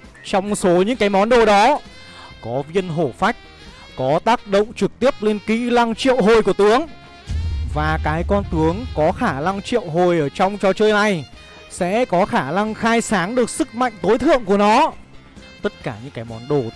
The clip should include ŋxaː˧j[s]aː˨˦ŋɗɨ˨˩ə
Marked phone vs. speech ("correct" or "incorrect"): correct